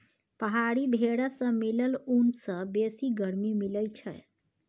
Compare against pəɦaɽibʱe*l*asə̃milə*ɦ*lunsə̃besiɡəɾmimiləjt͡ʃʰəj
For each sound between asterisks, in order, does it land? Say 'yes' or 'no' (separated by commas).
no, no